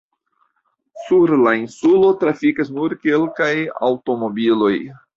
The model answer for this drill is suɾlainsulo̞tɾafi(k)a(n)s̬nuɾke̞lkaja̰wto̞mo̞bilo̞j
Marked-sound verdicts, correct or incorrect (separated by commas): correct, incorrect